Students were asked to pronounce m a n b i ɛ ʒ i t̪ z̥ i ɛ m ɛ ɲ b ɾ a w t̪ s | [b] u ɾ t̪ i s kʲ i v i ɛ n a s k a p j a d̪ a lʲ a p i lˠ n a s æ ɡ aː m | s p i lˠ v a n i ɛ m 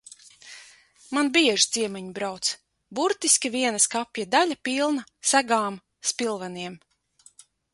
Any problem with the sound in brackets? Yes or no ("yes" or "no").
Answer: no